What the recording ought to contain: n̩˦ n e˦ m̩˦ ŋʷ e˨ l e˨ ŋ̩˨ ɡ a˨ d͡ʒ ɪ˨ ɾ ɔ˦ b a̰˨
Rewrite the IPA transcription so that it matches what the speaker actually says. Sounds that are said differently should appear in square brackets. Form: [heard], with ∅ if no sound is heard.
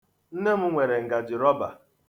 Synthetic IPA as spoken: n̩˦ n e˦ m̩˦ ŋʷ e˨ [ɾ] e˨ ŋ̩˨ ɡ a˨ d͡ʒ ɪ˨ ɾ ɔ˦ b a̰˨